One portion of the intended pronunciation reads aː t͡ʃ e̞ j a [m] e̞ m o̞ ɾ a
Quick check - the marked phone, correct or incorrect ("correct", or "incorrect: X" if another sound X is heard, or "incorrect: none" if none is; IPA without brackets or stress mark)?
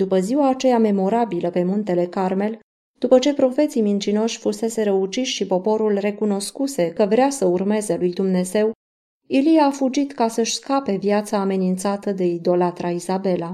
correct